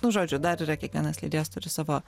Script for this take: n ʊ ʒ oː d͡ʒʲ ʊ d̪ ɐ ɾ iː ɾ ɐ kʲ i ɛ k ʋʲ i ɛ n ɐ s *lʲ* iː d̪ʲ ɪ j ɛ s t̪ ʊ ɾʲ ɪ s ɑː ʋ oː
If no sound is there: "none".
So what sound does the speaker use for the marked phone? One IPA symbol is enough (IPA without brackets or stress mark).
lʲ